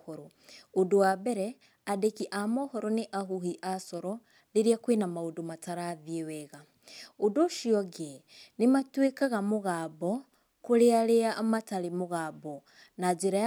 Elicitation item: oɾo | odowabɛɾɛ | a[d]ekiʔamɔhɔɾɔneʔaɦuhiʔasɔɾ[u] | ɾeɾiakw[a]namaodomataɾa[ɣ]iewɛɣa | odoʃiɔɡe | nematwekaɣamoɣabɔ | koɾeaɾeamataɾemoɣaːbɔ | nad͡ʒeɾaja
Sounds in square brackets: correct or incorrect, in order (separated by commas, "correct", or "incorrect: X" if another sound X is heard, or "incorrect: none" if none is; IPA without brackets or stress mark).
correct, incorrect: ɔ, incorrect: e, incorrect: ð